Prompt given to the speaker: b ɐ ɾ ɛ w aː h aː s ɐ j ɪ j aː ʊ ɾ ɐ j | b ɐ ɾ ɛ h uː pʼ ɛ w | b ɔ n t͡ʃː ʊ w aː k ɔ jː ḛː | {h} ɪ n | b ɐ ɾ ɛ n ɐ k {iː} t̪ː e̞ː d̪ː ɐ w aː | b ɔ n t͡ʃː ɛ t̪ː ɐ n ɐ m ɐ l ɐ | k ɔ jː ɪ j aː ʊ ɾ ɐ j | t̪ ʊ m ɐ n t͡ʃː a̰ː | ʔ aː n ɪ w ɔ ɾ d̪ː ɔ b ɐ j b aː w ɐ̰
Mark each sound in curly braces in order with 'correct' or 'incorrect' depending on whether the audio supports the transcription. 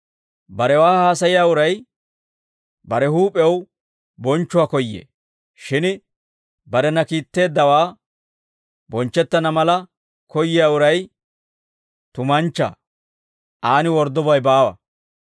incorrect: ʃ, correct

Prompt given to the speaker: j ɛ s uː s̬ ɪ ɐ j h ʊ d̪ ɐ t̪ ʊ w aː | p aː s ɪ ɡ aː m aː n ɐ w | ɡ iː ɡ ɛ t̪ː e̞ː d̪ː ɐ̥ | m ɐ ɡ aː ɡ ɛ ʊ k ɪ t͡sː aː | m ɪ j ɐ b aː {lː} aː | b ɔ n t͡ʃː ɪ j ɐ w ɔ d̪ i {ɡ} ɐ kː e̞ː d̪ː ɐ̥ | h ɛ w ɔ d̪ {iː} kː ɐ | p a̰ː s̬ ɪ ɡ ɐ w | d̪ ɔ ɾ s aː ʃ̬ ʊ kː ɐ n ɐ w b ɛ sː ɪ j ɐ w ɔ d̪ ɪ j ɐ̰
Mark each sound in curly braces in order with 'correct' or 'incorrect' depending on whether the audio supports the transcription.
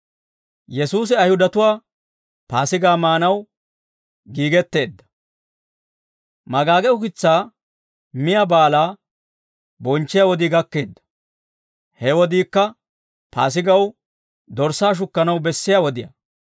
incorrect: l, correct, correct

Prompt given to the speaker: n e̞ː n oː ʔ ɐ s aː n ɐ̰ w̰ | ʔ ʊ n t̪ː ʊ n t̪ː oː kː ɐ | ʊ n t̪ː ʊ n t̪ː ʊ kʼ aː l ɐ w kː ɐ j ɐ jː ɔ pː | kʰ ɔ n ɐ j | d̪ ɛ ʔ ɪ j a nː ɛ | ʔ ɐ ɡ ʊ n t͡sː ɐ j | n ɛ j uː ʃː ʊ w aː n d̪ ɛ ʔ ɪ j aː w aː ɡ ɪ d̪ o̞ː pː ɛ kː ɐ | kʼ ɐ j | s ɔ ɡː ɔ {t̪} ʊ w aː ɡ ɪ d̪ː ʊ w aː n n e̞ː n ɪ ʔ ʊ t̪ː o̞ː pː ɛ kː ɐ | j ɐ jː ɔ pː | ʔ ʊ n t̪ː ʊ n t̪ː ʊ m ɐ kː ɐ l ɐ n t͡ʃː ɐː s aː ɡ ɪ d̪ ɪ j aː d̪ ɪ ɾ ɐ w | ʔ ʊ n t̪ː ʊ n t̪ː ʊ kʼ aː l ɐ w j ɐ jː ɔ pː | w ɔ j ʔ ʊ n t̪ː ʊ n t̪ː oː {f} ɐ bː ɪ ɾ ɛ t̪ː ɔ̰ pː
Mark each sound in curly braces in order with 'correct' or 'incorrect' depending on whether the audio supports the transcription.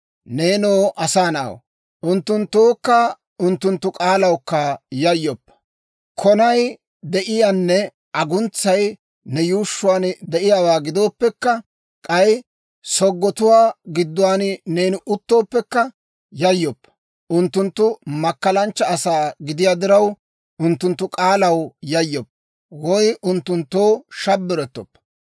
correct, incorrect: ʃ

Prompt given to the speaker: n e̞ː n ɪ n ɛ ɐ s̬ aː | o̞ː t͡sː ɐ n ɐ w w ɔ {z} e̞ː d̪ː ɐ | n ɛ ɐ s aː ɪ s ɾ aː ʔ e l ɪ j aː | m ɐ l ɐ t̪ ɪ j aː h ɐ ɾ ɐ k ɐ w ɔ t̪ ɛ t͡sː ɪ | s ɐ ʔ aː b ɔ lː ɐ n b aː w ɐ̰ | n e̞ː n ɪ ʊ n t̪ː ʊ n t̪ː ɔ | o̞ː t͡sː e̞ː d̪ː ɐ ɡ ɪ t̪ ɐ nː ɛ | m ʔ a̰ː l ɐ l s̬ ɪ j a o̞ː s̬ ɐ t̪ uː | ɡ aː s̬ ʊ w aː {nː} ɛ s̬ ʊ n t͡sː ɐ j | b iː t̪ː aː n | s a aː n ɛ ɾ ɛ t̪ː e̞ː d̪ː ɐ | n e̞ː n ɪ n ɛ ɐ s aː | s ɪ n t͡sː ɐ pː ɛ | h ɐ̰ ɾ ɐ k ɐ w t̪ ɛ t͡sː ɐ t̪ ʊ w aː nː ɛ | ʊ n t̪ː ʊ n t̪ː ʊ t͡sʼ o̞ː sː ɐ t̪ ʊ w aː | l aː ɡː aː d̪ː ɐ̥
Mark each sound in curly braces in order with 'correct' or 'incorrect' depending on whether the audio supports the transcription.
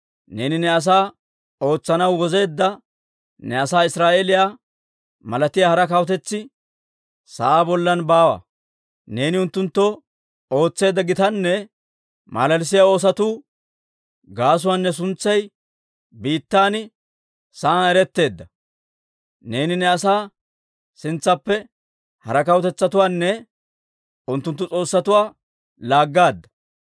correct, correct

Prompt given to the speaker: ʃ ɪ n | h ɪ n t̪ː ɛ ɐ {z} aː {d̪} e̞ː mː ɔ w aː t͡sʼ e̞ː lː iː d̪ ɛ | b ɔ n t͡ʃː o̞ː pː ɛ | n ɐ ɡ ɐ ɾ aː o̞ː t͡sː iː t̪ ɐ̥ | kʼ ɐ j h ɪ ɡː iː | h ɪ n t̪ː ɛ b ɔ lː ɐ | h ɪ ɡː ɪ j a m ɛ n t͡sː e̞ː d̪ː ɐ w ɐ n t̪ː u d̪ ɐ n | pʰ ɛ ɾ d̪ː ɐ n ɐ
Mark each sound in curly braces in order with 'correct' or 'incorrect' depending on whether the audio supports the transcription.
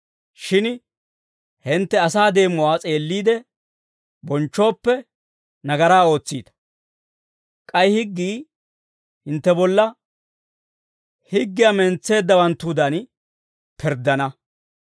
incorrect: s, correct

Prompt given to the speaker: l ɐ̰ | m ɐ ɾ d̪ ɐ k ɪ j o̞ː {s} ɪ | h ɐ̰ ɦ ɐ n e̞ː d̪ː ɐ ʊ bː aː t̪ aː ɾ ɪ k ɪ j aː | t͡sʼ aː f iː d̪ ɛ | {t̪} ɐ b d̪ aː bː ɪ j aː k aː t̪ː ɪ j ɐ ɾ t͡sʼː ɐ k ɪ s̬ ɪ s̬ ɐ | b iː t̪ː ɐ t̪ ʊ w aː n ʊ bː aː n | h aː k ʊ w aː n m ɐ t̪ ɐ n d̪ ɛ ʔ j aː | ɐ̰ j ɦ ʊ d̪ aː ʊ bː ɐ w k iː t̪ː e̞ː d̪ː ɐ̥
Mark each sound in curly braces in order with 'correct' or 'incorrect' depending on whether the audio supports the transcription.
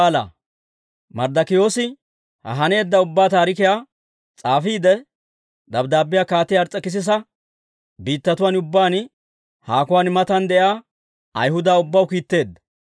correct, incorrect: d̪

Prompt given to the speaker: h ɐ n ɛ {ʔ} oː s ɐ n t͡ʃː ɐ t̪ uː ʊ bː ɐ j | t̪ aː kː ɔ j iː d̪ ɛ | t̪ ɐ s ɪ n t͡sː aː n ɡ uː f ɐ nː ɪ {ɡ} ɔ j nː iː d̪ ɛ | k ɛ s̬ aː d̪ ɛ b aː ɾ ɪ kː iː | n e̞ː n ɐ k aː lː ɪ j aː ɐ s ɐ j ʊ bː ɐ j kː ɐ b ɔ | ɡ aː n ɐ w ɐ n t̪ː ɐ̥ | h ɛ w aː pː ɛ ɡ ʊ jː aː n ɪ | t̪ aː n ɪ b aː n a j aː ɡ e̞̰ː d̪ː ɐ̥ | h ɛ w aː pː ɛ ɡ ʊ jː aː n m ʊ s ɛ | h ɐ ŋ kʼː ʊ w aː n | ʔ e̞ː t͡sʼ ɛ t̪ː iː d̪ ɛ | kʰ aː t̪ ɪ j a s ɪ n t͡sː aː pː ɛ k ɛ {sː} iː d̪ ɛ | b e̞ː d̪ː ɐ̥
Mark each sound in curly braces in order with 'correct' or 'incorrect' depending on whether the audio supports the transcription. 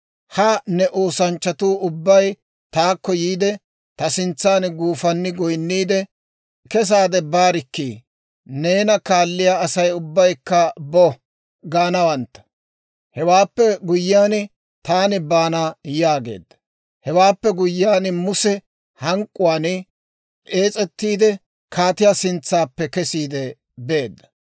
correct, correct, incorrect: s

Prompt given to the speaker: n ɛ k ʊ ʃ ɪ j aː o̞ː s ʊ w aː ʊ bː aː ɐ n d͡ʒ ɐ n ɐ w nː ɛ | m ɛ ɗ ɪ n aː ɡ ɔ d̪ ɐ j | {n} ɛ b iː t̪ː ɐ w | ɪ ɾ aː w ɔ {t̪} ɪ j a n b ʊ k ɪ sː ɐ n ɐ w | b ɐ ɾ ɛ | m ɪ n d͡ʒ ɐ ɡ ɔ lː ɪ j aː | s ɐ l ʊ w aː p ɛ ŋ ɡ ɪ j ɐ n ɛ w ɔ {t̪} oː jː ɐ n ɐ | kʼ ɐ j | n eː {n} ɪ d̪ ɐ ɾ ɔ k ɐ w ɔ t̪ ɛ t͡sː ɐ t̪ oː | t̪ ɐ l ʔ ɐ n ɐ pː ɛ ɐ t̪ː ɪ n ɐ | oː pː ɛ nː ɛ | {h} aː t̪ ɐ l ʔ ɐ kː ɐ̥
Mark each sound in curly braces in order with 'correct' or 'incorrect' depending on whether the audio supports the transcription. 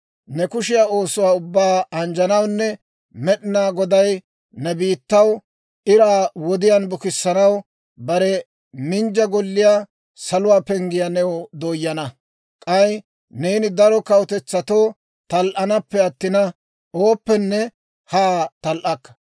correct, incorrect: d̪, incorrect: d̪, correct, correct

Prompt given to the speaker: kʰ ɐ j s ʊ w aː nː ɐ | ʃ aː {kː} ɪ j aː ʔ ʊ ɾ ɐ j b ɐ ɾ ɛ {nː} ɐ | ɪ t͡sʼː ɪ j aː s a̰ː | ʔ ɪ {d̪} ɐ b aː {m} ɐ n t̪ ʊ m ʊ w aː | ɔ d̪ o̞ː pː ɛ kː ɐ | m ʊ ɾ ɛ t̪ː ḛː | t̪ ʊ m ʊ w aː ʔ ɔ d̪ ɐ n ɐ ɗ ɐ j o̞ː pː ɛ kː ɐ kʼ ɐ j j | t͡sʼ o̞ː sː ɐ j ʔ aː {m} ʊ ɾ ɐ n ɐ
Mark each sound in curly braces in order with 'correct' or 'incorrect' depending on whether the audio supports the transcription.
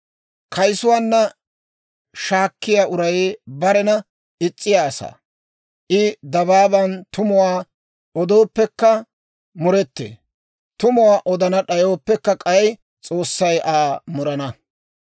correct, incorrect: n, correct, incorrect: b, correct

